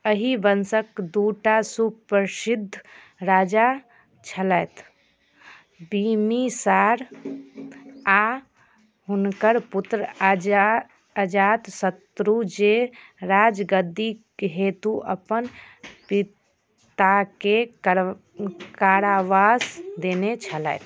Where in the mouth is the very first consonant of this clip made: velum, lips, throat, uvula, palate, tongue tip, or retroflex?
throat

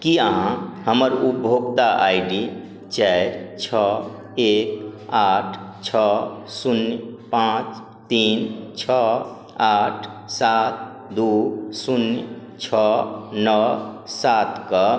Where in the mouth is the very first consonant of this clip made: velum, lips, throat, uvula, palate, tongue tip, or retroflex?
velum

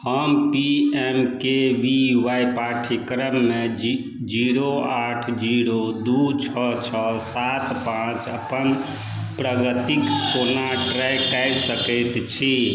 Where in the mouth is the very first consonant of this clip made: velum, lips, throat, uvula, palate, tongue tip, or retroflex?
throat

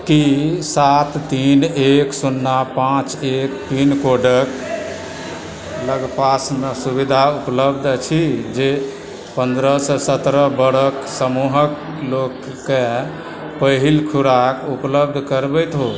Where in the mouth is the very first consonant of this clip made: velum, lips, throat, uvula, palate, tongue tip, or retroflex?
velum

